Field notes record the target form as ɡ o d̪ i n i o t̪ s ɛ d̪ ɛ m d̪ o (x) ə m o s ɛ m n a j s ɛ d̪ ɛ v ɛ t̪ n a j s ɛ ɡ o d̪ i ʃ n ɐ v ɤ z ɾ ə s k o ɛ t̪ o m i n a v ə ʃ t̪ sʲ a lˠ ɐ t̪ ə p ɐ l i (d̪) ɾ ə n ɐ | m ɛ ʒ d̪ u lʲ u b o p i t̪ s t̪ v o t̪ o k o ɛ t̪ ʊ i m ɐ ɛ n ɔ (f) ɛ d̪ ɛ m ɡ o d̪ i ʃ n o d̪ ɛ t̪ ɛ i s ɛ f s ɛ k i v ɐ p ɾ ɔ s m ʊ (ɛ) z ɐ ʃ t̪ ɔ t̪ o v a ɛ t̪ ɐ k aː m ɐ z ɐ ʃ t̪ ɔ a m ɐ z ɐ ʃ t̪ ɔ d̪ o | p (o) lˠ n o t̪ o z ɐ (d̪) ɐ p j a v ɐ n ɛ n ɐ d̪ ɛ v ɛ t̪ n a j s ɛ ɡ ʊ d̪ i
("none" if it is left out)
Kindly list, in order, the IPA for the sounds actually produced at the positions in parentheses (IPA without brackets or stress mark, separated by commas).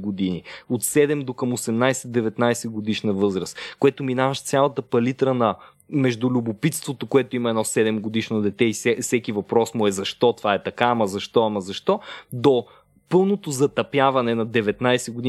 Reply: k, t̪, s, ɛ, ɤ, t̪